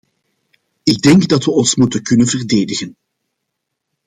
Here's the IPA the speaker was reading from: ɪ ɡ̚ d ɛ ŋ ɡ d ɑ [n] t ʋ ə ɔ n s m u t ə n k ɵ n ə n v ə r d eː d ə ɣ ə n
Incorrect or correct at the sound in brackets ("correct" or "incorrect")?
incorrect